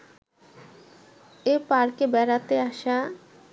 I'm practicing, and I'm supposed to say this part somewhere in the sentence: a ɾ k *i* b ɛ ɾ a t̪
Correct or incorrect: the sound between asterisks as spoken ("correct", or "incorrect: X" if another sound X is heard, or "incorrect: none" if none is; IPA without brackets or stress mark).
incorrect: e